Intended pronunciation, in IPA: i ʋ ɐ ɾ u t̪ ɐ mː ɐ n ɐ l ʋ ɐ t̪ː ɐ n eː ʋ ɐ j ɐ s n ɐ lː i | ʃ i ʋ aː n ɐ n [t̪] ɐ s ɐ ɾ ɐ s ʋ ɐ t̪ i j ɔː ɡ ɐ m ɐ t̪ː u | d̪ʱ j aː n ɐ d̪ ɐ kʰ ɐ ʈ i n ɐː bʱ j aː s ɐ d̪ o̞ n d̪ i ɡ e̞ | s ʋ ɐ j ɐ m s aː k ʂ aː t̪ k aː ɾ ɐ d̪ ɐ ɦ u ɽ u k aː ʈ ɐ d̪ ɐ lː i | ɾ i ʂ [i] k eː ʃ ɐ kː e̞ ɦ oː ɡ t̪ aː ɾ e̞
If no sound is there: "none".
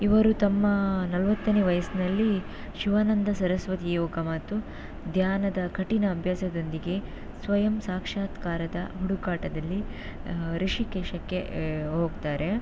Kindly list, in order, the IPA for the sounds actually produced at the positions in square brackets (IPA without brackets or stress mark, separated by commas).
d̪, i